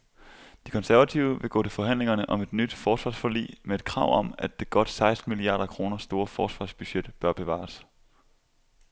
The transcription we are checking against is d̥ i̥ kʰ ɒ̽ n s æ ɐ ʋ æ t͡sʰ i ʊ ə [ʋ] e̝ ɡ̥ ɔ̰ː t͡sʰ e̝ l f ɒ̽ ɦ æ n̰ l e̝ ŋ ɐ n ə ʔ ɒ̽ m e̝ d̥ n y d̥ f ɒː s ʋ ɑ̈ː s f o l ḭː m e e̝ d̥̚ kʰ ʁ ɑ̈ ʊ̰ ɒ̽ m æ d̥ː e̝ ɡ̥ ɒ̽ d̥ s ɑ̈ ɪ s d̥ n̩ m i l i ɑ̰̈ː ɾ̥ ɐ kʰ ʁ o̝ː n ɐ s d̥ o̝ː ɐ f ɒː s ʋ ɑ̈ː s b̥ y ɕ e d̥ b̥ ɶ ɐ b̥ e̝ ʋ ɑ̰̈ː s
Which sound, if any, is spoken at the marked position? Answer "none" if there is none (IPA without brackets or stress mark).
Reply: ʋ